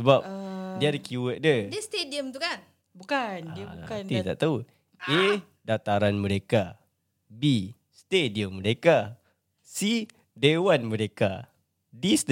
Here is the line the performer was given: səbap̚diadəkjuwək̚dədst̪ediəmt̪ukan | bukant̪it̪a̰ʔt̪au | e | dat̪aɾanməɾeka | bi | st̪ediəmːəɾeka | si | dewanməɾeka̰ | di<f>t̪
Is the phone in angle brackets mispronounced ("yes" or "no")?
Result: yes